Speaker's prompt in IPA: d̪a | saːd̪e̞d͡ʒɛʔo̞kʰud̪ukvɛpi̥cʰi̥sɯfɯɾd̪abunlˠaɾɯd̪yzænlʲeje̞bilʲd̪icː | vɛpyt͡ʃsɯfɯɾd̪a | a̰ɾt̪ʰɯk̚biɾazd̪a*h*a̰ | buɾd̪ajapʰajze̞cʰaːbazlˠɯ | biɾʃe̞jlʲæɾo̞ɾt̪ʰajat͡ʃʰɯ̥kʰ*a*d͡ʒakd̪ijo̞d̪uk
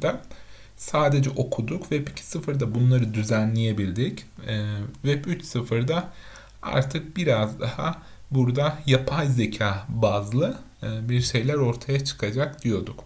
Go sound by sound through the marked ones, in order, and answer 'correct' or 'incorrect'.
correct, correct

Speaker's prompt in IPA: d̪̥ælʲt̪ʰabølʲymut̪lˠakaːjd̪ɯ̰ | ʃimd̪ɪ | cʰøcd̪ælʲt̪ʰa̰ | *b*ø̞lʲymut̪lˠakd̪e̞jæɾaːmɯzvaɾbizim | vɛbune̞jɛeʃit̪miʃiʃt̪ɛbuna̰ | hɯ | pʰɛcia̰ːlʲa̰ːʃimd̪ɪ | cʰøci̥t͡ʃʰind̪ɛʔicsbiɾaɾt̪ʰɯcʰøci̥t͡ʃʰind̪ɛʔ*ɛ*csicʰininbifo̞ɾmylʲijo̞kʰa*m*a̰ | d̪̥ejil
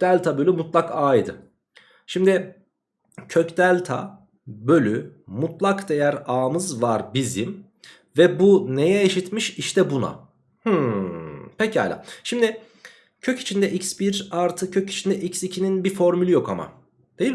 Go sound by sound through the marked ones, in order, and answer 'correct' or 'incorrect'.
correct, incorrect: i, correct

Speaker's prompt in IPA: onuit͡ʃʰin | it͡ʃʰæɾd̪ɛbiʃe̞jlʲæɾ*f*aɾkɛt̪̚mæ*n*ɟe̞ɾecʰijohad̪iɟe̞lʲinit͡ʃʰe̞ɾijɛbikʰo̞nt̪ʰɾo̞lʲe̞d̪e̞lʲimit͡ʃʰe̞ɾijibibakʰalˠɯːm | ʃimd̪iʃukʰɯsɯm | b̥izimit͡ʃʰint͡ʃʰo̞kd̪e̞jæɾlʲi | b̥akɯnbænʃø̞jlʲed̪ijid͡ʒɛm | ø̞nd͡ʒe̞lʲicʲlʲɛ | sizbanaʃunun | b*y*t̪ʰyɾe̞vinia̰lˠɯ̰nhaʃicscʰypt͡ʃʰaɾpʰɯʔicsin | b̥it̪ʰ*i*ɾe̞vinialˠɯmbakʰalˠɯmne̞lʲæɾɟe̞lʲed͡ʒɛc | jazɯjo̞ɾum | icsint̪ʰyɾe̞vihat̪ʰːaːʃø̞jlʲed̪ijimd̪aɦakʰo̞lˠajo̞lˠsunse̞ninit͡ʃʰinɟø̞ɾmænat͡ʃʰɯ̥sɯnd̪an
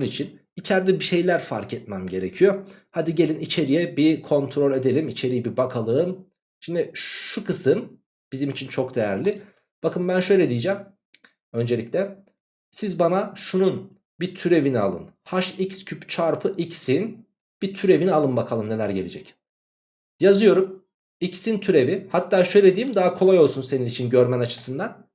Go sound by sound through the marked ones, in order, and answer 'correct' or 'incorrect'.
correct, incorrect: m, incorrect: i, incorrect: y

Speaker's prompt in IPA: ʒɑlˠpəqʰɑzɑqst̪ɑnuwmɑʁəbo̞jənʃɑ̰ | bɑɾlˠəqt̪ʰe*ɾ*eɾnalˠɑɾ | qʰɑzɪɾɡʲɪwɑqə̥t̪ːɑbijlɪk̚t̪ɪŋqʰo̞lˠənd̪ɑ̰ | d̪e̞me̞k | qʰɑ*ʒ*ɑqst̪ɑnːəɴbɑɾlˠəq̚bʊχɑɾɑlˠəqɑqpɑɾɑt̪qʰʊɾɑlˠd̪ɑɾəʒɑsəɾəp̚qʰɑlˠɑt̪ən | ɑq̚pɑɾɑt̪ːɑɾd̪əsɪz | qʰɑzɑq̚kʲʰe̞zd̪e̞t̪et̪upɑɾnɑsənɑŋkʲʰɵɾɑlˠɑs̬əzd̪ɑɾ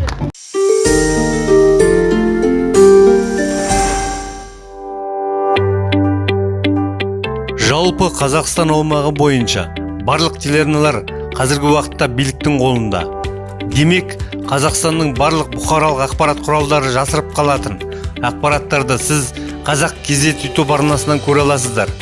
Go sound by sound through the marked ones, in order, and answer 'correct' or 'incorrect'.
incorrect: l, incorrect: z

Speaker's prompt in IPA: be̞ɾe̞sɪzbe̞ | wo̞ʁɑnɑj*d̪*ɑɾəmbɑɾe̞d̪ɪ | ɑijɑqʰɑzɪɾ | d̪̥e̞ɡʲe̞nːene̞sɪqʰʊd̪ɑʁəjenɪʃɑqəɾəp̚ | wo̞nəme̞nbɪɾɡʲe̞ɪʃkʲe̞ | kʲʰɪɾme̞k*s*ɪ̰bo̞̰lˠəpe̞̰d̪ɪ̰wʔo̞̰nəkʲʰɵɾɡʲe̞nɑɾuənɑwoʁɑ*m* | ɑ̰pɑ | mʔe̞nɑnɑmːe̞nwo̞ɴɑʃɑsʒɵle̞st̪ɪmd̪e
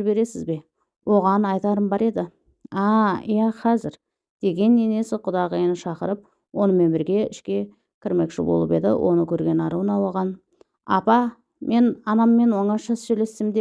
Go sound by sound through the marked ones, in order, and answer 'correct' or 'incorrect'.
incorrect: t̪, incorrect: ʃ, incorrect: n

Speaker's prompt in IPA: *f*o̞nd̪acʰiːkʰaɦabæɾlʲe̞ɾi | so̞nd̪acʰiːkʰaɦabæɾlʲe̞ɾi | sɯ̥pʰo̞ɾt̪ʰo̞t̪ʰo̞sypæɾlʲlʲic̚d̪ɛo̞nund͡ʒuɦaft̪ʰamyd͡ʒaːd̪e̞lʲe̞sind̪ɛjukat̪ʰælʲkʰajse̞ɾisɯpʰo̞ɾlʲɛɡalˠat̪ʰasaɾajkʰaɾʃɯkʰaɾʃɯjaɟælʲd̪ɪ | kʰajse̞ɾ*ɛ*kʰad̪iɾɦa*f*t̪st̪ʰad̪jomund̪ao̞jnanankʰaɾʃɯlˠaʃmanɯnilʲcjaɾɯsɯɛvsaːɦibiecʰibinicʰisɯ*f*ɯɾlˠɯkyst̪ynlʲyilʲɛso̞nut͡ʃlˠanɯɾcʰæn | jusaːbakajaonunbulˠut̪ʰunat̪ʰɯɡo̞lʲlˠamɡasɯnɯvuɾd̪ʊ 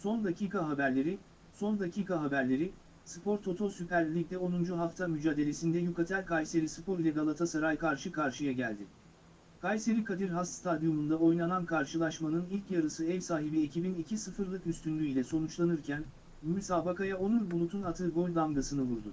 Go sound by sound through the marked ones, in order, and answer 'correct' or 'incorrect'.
incorrect: s, incorrect: i, incorrect: s, correct

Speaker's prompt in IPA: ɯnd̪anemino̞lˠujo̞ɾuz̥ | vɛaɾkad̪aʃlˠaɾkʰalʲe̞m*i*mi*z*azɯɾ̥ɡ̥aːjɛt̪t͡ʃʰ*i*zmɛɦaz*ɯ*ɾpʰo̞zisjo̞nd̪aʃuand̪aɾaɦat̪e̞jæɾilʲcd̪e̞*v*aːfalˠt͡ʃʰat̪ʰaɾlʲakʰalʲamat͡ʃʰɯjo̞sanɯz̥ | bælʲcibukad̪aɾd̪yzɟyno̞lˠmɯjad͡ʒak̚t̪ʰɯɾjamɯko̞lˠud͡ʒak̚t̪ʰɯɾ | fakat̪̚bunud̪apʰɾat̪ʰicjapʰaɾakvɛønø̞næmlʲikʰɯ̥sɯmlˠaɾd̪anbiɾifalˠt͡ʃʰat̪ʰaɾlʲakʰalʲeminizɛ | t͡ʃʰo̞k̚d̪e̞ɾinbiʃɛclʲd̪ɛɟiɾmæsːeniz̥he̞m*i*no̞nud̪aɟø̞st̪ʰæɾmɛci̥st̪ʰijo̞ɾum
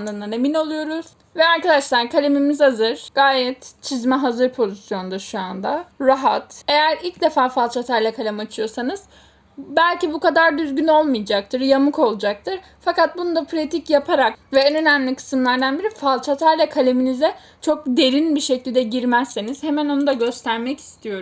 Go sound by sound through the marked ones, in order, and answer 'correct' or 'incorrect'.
correct, correct, correct, correct, incorrect: f, incorrect: æ

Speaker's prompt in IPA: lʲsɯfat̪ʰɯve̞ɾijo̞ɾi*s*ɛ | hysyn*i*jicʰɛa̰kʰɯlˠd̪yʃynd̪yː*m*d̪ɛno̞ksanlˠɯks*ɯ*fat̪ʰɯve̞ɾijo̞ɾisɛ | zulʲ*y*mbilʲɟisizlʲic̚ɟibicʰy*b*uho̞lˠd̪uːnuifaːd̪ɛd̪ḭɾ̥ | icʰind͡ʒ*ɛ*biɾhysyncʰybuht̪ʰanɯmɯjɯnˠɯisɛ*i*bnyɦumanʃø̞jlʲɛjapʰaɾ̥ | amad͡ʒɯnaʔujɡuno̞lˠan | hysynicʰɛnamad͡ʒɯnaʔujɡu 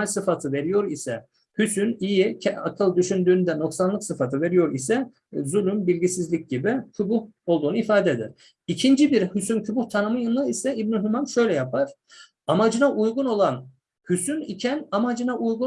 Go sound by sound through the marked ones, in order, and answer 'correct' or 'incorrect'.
correct, correct, incorrect: n, correct, correct, correct, incorrect: i, correct

